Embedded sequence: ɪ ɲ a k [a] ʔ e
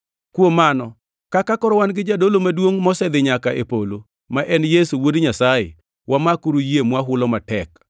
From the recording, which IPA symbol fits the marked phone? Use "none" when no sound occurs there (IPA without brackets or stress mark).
a